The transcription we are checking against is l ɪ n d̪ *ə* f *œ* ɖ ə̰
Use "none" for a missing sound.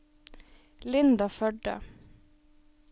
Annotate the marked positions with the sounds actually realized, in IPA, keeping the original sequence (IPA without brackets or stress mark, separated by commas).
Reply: ɑ, œ